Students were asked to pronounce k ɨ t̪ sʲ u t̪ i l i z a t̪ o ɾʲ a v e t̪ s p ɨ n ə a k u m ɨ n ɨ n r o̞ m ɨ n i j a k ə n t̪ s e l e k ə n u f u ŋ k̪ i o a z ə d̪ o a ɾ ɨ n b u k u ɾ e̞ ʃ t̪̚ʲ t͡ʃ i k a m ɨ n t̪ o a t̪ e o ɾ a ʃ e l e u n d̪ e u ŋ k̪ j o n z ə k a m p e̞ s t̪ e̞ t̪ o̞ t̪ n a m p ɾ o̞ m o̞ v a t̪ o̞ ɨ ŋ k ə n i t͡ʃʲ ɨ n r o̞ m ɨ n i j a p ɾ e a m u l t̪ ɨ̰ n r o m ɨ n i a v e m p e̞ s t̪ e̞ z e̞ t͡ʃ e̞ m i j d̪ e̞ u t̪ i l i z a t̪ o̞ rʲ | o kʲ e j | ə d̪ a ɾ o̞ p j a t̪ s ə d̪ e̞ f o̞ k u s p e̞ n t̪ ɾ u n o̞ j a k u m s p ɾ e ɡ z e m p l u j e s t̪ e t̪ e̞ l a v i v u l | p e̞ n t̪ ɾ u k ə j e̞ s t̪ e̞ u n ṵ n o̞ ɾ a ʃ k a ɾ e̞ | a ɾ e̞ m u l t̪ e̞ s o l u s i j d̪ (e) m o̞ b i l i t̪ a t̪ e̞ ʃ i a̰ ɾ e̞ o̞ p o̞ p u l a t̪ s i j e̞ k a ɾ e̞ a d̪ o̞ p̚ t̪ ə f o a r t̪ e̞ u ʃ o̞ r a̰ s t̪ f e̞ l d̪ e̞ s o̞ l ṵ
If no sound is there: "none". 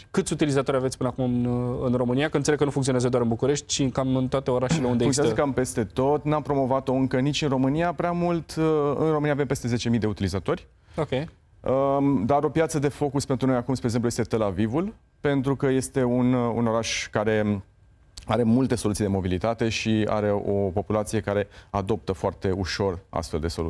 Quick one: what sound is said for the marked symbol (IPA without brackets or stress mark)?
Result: e